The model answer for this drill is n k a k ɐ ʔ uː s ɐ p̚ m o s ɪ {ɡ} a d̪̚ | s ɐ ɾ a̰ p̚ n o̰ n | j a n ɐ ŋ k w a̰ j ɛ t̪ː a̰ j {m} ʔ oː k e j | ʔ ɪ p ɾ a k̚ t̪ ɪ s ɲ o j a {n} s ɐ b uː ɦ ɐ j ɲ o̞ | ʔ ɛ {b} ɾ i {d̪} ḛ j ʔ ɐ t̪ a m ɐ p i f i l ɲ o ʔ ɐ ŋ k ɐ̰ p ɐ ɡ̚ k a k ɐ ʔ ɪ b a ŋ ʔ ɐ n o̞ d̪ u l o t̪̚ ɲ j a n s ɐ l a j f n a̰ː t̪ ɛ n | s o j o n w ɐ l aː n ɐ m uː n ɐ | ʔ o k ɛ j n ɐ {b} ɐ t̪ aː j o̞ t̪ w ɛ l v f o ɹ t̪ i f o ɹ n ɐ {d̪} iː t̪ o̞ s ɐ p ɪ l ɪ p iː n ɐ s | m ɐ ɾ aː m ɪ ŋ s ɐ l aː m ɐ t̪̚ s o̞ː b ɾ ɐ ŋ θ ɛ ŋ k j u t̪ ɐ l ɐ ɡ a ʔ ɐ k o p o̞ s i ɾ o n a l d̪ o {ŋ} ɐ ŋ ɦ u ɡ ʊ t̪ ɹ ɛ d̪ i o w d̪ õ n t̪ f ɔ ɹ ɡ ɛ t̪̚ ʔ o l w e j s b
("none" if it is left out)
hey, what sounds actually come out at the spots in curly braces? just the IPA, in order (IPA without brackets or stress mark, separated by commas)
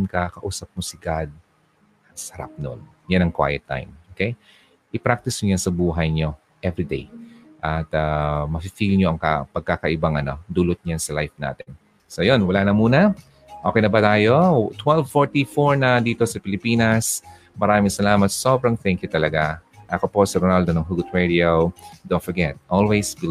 ɡ, m, n, v, d̪, b, d̪, n